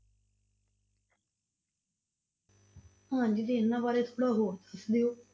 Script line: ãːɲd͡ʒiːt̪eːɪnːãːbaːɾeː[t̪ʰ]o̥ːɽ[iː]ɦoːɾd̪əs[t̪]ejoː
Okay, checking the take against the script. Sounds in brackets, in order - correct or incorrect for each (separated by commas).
correct, incorrect, incorrect